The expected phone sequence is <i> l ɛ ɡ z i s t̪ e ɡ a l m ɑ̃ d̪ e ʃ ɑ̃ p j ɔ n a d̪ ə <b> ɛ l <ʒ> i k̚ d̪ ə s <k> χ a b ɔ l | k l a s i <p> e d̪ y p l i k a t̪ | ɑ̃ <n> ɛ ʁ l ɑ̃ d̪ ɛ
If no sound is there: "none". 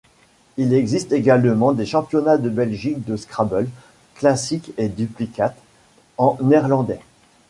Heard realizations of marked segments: i, b, ʒ, k, k, n

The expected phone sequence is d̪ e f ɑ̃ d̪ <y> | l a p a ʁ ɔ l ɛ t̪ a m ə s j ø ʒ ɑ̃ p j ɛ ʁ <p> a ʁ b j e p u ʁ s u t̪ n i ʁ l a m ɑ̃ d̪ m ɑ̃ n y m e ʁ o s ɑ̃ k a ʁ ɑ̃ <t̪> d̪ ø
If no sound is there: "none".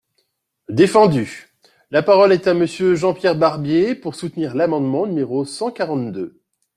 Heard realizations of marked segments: y, b, t̪

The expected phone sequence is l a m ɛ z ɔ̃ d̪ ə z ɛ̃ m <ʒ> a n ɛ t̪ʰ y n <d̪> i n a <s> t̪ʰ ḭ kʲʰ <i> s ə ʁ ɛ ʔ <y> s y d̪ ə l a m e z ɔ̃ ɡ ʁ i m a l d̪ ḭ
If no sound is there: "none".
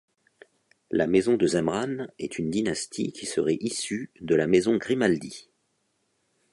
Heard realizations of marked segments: ʁ, d̪, s, i, i

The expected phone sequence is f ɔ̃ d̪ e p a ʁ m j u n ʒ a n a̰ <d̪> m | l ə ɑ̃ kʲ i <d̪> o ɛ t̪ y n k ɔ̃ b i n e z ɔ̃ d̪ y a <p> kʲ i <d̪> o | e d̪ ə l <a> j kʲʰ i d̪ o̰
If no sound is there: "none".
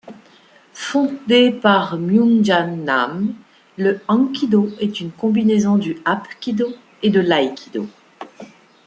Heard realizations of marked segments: none, d̪, p, d̪, a

